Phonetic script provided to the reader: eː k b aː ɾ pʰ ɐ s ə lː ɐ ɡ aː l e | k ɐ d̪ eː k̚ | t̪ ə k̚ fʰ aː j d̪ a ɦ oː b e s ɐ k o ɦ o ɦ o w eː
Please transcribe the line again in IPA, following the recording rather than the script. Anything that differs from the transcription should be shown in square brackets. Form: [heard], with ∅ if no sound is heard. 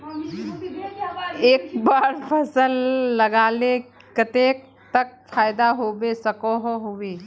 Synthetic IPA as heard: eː k b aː ɾ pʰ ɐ s ə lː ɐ ɡ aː l e | k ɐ [t̪] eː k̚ | t̪ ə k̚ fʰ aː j d̪ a ɦ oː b e s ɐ k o ɦ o ɦ o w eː

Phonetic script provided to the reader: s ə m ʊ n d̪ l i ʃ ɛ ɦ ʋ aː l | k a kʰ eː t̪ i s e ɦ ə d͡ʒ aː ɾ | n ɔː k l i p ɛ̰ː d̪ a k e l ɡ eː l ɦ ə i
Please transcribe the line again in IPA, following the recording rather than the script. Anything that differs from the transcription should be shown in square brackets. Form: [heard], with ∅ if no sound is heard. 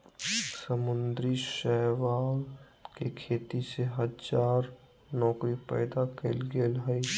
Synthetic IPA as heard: s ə m ʊ n d̪ [ɾ] i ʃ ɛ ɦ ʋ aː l | k [e] kʰ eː t̪ i s e ɦ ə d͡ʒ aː ɾ | n ɔː k [ɾ] i p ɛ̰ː d̪ a k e l ɡ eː l ɦ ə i

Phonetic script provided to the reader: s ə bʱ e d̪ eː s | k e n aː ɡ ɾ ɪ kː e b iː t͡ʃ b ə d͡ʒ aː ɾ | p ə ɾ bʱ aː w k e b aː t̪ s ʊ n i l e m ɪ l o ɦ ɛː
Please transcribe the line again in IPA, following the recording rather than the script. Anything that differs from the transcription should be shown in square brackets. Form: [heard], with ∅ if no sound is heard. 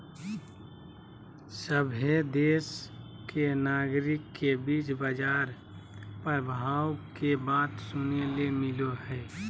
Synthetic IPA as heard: s ə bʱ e d̪ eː s | k e n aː ɡ ɾ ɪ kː e b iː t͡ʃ b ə d͡ʒ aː ɾ | p ə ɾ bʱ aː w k e b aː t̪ s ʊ n [e] l e m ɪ l o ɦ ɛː

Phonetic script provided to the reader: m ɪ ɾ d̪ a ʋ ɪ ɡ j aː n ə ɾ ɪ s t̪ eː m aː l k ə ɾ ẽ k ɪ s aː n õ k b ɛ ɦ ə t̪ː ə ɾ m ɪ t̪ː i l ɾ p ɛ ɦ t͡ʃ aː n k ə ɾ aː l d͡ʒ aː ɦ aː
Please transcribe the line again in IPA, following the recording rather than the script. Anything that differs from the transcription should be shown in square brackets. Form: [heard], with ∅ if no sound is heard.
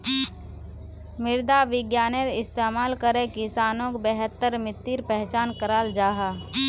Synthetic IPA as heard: m ɪ ɾ d̪ a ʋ ɪ ɡ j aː n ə ɾ ɪ s t̪ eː m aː l k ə ɾ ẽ k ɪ s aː n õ k b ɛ ɦ ə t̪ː ə ɾ m ɪ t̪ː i [∅] ɾ p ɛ ɦ t͡ʃ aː n k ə ɾ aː l d͡ʒ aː ɦ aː

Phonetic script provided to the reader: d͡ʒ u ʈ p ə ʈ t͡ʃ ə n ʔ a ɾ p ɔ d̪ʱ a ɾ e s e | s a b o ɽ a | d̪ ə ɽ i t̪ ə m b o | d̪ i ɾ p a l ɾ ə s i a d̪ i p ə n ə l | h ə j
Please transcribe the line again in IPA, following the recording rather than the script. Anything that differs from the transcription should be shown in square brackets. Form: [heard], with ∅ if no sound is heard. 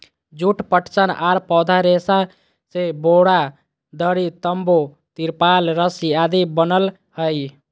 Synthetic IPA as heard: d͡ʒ u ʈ p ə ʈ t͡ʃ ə n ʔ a ɾ p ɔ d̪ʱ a ɾ e s [a] | s [e] b o ɽ a | d̪ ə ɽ i t̪ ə m b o | [t̪] i ɾ p a l ɾ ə s i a d̪ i [b] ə n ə l | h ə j

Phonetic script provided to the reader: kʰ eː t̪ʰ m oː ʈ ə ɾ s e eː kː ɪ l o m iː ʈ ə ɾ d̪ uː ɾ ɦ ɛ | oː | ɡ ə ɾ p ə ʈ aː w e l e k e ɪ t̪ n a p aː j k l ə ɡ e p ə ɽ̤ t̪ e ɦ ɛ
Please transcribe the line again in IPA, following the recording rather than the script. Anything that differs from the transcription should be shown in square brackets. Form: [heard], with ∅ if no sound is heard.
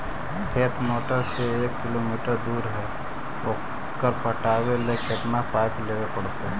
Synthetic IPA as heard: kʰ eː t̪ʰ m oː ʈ ə ɾ s e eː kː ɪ l o m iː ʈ ə ɾ d̪ uː ɾ ɦ ɛ | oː | [k] ə ɾ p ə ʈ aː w e l e k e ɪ t̪ n a p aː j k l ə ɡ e p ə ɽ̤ t̪ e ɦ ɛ

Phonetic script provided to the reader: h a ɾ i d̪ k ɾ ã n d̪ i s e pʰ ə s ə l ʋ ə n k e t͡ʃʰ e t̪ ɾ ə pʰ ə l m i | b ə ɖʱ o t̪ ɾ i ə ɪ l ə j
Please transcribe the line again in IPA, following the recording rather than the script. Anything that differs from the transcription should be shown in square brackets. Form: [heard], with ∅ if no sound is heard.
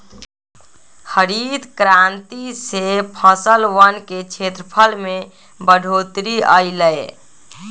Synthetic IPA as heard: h [ə] ɾ i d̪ k ɾ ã n [t̪] i s e pʰ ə s ə l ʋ ə n k e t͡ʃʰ e t̪ ɾ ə pʰ ə l m [e] | b ə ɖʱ o t̪ ɾ i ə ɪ l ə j

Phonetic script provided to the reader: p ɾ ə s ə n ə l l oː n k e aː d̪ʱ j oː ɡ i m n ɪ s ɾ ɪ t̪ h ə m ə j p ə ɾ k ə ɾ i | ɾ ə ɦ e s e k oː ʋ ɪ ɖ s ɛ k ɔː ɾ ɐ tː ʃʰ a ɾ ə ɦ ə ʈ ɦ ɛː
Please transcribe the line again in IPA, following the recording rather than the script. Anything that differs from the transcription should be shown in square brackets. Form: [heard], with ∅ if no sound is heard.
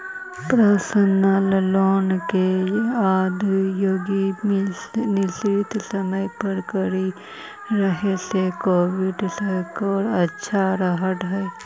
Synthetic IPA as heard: p ɾ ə s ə n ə l l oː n k e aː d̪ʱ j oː ɡ i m n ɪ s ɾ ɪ t̪ [s] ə m ə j p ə ɾ k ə ɾ i | ɾ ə ɦ e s e k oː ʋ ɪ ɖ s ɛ k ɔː ɾ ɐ tː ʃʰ a ɾ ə ɦ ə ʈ ɦ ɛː

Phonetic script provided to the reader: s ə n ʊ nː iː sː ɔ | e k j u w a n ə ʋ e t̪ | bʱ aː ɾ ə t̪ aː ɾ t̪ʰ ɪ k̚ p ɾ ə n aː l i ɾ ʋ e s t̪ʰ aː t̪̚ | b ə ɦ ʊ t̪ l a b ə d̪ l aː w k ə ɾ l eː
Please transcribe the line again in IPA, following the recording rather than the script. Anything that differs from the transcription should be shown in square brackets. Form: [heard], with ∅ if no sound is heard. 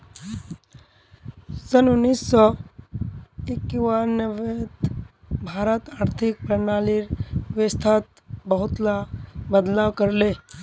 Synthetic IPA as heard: s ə n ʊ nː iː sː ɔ | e k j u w a n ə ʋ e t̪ | bʱ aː ɾ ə t̪ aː ɾ t̪ʰ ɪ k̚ p ɾ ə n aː l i ɾ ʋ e s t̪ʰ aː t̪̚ | b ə ɦ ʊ t̪ l a b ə d̪ l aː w k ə ɾ l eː

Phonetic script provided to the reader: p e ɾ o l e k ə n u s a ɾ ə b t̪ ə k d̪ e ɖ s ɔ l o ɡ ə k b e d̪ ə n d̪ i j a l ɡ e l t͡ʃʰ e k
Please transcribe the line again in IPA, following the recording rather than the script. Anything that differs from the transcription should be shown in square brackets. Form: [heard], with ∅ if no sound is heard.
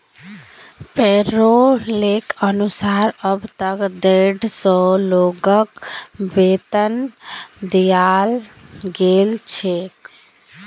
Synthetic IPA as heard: p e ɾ o l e k ə n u s a ɾ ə b t̪ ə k d̪ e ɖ s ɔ l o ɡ ə k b e [t̪] ə n d̪ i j a l ɡ e l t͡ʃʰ e k

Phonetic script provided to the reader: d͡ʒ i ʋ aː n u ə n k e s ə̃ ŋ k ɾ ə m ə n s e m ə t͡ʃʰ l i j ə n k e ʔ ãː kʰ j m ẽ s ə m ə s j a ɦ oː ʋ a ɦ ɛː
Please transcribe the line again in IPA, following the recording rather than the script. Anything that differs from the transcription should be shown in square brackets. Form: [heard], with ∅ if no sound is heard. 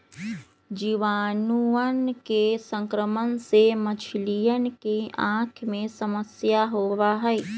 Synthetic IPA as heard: d͡ʒ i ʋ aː n u ə n k e s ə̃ ŋ k ɾ ə m ə n s e m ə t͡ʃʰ l i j ə n k e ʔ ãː kʰ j m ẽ s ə m ə s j a ɦ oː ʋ a ɦ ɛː

